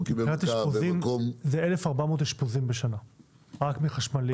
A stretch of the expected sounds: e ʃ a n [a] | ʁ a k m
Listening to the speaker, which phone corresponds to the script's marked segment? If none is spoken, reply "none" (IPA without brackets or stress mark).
a